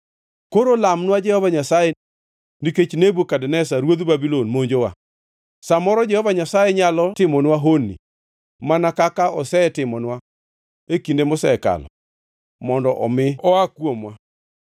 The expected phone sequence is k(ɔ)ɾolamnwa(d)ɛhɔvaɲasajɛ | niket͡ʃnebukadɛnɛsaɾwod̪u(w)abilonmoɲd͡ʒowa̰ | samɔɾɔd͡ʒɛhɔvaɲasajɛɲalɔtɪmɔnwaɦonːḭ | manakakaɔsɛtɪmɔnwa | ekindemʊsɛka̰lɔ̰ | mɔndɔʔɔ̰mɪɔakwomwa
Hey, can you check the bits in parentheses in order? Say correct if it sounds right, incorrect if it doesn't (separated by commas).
incorrect, incorrect, incorrect